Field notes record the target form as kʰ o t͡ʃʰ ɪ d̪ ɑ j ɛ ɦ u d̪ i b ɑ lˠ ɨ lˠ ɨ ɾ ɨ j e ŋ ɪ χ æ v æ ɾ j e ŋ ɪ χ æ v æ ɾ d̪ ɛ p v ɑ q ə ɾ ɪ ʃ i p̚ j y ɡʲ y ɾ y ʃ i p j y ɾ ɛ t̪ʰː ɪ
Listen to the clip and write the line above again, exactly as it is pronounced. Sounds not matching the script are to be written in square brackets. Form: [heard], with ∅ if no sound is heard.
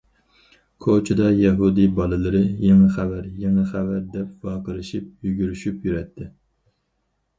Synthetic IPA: kʰ o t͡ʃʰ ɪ d̪ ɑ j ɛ ɦ u d̪ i b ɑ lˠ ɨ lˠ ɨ ɾ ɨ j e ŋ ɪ χ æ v æ ɾ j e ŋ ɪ χ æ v æ ɾ d̪ ɛ p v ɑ q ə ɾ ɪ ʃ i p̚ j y ɡʲ y ɾ y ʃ [y] p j y ɾ ɛ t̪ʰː ɪ